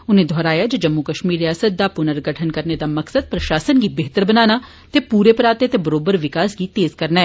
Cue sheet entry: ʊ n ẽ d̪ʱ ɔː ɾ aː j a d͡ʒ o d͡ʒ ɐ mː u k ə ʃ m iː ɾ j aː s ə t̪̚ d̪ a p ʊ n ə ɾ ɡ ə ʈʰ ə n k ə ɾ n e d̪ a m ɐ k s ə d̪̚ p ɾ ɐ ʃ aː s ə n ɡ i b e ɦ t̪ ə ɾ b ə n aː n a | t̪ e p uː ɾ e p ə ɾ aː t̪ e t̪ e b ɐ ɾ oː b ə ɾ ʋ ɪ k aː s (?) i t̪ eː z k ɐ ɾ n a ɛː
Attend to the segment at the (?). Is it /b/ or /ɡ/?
ɡ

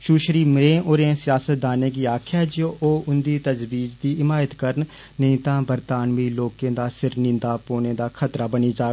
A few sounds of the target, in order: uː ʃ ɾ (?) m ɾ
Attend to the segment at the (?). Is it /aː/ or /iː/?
iː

